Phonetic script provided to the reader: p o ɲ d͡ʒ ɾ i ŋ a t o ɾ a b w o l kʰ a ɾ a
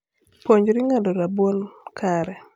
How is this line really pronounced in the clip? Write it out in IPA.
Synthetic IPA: p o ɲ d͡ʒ ɾ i ŋ a d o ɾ a b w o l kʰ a ɾ ɛ